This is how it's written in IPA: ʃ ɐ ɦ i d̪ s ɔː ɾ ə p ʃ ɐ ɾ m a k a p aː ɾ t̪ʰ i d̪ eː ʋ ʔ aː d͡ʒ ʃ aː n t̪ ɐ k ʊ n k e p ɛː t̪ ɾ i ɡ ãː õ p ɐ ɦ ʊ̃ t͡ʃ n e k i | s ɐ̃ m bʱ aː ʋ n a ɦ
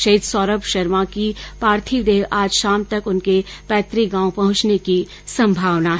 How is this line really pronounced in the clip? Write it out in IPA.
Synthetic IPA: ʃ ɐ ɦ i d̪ s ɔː ɾ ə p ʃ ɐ ɾ m a k i p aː ɾ t̪ʰ i d̪ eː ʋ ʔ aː d͡ʒ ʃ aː m t̪ ɐ k ʊ n k e p ɛː t̪ ɾ i ɡ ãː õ p ɐ ɦ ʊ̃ t͡ʃ n e k i | s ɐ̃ m bʱ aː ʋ n a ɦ